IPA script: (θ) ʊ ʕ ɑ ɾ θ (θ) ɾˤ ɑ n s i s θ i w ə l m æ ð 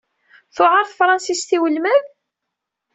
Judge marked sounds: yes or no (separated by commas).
yes, no